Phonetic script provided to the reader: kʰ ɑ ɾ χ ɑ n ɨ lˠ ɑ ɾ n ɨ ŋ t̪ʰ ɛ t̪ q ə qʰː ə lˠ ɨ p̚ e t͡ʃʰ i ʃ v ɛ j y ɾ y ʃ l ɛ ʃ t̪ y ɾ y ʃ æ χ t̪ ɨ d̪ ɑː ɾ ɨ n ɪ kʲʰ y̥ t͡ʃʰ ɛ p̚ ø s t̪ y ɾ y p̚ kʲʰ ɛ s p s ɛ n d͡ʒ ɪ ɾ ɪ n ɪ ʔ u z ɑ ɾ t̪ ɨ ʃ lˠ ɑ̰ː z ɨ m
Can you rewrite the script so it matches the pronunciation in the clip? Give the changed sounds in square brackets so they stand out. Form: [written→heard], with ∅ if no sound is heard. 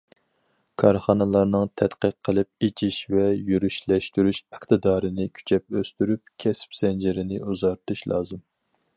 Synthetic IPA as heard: kʰ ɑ ɾ χ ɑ n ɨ lˠ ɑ ɾ n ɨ ŋ t̪ʰ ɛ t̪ q ə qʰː ə lˠ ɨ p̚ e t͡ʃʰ i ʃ v ɛ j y ɾ y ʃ l ɛ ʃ t̪ y ɾ y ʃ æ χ t̪ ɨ d̪ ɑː ɾ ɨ n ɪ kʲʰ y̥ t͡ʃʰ ɛ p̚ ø s t̪ y ɾ y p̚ kʲʰ ɛ s p s ɛ n d͡ʒ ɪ ɾ ɪ n ɪ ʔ u z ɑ ɾ t̪ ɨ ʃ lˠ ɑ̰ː z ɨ m

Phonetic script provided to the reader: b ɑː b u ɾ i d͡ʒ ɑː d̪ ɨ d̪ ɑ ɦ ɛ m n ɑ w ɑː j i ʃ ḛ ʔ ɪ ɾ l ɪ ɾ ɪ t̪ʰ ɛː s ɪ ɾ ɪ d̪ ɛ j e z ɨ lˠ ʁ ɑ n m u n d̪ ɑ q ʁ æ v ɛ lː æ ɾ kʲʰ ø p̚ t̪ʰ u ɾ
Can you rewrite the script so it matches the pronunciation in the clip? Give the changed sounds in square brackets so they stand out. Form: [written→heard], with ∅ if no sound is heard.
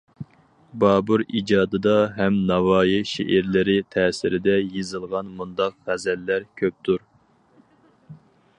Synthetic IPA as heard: b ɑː b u ɾ i d͡ʒ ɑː d̪ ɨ d̪ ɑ ɦ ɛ m n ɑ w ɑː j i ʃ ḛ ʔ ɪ ɾ l ɪ ɾ ɪ t̪ʰ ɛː s ɪ ɾ ɪ d̪ ɛ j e z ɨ lˠ ʁ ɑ n m u n d̪ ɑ q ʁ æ [v→z] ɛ lː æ ɾ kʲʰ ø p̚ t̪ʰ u ɾ

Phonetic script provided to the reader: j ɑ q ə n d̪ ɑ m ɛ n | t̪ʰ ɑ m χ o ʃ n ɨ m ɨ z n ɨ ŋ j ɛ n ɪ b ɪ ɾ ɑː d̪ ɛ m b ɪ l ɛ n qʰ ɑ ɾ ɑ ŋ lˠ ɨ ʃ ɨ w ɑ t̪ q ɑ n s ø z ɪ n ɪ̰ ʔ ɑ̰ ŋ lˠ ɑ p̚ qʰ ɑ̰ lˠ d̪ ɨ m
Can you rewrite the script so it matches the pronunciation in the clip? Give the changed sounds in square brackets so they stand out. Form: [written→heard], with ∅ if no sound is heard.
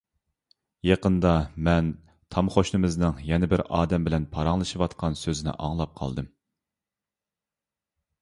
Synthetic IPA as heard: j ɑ q ə n d̪ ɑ m ɛ n | t̪ʰ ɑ m χ o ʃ n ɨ m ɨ z n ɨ ŋ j ɛ n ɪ b ɪ ɾ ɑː d̪ ɛ m b ɪ l ɛ n [qʰ→pʰ] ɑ ɾ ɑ ŋ lˠ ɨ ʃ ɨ w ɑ t̪ q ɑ n s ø z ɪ n ɪ̰ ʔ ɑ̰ ŋ lˠ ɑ p̚ qʰ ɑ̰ lˠ d̪ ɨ m

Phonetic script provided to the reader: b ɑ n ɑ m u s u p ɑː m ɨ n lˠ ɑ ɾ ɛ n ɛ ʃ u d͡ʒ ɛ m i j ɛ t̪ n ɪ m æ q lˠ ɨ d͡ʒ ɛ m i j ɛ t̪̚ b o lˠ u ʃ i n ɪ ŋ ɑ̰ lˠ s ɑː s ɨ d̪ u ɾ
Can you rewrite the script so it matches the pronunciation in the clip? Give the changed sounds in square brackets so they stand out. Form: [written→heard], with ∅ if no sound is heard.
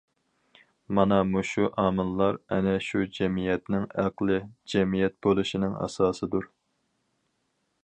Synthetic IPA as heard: [b→m] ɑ n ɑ m u [s→ʃ] u [p→ʔ] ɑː m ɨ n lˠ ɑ ɾ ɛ n ɛ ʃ u d͡ʒ ɛ m i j ɛ t̪ n ɪ [m→ŋ] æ q lˠ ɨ d͡ʒ ɛ m i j ɛ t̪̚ b o lˠ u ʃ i n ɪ ŋ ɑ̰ [lˠ→∅] s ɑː s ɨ d̪ u ɾ

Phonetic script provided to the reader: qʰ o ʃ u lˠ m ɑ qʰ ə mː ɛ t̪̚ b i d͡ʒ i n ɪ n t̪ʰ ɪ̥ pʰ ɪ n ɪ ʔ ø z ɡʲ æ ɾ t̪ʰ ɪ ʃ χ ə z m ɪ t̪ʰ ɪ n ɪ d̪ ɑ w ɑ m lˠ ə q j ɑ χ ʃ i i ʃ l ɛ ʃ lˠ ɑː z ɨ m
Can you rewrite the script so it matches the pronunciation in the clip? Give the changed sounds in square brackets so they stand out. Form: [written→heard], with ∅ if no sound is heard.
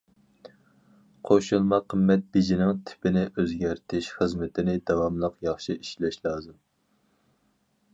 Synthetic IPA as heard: qʰ o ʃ u lˠ m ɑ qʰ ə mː ɛ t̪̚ b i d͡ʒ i n ɪ [n→ŋ] t̪ʰ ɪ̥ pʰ ɪ n ɪ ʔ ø z ɡʲ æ ɾ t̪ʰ ɪ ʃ χ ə z m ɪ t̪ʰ ɪ n ɪ d̪ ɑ w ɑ m lˠ ə q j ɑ χ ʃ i i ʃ l ɛ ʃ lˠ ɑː z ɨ m

